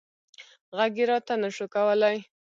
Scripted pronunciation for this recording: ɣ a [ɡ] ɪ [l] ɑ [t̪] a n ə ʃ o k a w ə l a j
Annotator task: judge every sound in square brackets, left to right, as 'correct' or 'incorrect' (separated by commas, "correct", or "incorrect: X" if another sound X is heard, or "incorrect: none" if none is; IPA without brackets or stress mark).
correct, incorrect: ɾ, correct